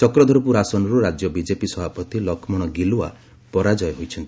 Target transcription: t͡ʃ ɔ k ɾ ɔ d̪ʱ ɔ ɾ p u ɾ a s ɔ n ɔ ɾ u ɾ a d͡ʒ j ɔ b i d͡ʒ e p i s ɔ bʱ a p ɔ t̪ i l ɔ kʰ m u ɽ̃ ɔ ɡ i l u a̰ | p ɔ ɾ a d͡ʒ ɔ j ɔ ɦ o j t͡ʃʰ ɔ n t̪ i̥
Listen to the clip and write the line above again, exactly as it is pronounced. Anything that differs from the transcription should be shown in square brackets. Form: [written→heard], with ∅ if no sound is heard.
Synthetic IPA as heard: t͡ʃ ɔ k ɾ ɔ d̪ʱ ɔ ɾ p u ɾ a s ɔ n ɔ ɾ u ɾ a d͡ʒ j ɔ b i d͡ʒ e p i s ɔ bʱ a p ɔ t̪ i l ɔ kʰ m [u→ɔ] ɽ̃ ɔ ɡ i l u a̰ | p ɔ ɾ a d͡ʒ ɔ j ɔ ɦ o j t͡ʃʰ ɔ n t̪ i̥